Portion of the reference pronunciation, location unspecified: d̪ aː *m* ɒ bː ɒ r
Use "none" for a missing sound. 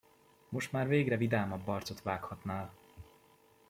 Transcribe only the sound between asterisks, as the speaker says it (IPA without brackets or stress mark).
m